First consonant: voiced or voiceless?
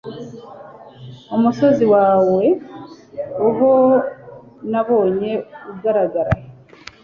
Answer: voiced